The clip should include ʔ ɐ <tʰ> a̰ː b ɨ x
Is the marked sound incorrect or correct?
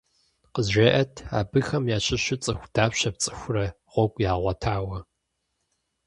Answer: correct